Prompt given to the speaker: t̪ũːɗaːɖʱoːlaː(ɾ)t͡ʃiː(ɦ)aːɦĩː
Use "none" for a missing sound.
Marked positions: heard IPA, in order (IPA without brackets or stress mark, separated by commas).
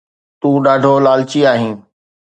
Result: l, none